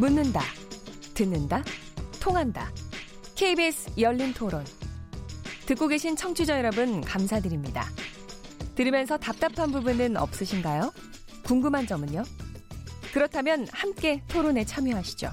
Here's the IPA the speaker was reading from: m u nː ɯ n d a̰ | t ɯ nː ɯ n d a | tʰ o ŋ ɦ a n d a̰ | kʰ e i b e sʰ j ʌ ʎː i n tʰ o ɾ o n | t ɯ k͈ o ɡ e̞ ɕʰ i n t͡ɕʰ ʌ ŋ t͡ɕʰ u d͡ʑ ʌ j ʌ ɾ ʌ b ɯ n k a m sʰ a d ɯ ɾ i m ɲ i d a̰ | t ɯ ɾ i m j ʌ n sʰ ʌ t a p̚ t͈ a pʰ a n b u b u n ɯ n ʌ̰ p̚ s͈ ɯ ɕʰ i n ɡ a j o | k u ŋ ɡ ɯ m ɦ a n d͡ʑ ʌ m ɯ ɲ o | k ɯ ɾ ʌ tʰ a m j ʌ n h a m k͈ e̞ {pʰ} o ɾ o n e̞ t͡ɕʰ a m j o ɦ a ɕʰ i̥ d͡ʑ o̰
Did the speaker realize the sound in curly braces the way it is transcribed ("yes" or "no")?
no